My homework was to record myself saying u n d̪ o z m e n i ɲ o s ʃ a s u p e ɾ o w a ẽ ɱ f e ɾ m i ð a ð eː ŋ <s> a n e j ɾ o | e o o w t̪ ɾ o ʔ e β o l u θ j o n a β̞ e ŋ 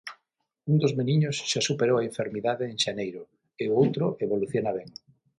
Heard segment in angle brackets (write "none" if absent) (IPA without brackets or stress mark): ʃ